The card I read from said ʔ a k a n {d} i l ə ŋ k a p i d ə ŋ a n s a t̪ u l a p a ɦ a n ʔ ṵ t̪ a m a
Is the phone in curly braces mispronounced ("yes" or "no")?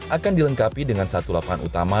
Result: no